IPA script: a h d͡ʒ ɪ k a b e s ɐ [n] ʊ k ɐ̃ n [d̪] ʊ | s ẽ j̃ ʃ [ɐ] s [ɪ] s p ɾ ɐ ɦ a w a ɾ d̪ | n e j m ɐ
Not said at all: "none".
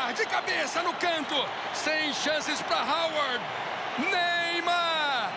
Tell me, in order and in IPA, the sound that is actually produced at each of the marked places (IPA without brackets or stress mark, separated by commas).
n, t̪, ɐ̃, ɪ